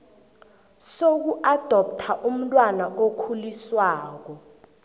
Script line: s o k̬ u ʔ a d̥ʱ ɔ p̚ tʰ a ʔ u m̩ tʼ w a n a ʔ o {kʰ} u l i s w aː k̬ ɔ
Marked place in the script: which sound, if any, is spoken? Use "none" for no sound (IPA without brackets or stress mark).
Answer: kʰ